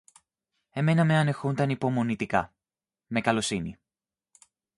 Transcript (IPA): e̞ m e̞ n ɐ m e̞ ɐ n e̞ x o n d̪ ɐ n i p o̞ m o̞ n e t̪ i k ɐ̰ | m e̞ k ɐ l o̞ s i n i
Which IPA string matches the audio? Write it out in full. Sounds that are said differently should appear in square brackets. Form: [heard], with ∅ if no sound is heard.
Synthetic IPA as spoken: e̞ m e̞ n ɐ m e̞ ɐ n e̞ x [u] n d̪ ɐ n i p o̞ m o̞ n [i] t̪ i k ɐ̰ | m e̞ k ɐ l o̞ s i n i